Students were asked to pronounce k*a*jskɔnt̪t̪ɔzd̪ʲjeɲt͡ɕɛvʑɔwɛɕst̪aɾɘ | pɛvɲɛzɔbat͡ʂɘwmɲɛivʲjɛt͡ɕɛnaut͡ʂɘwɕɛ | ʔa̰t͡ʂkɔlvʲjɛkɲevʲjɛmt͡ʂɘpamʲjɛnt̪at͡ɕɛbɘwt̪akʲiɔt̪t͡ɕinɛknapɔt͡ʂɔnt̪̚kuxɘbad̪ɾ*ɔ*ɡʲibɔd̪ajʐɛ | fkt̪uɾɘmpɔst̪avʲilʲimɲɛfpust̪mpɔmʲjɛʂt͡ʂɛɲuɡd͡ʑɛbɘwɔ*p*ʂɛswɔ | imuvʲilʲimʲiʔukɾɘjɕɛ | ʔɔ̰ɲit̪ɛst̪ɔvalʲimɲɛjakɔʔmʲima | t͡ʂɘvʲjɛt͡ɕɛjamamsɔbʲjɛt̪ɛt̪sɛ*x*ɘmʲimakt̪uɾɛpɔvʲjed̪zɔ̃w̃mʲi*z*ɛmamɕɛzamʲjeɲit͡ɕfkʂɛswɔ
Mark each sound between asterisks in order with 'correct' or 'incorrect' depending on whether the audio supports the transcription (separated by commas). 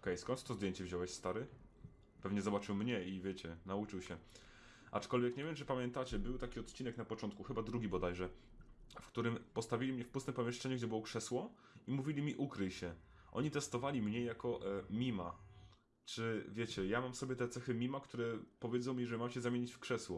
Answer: incorrect, incorrect, incorrect, correct, incorrect